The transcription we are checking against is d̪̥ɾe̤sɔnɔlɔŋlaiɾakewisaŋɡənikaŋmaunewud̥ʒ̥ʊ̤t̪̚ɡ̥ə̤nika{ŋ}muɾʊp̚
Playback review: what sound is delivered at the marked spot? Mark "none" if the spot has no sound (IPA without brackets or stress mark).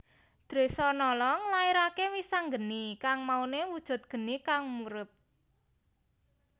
ŋ